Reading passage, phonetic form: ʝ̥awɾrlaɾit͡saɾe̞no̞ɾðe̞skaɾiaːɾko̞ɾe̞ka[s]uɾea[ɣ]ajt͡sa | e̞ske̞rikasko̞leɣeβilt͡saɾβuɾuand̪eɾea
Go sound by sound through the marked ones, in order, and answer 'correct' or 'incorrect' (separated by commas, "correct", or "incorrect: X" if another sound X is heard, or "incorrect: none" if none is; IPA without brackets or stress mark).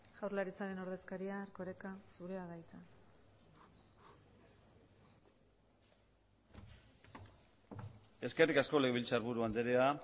correct, incorrect: ð